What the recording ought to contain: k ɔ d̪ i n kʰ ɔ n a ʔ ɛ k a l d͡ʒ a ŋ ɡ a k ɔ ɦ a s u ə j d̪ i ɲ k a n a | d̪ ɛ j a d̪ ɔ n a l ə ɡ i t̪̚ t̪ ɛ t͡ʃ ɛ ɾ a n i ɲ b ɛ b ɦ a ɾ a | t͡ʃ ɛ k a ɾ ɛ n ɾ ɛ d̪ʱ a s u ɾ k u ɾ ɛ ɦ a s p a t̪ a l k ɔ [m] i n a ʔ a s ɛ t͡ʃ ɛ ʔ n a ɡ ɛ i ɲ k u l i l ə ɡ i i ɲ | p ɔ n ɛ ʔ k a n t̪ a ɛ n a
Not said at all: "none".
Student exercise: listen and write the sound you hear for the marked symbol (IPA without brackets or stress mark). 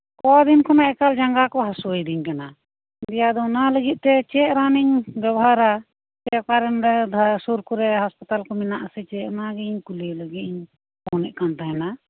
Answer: m